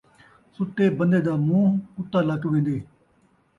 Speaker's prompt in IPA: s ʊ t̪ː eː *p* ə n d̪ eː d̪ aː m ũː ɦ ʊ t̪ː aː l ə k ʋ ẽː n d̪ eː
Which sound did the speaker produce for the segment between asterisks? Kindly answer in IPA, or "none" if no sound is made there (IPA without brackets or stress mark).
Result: b